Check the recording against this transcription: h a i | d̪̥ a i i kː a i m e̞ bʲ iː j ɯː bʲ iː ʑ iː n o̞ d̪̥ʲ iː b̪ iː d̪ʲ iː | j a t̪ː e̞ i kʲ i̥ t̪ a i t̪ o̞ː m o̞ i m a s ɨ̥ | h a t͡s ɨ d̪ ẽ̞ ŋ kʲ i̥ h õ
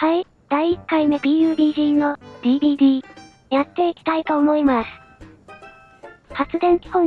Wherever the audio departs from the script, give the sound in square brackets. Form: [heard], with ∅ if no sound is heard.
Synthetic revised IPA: h a i | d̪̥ a i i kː a i m e̞ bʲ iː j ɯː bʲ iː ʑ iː n o̞ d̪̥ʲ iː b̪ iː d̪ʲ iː | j a t̪ː e̞ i kʲ i̥ t̪ a i t̪ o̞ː m o̞ i m a s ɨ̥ | h a t͡s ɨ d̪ ẽ̞ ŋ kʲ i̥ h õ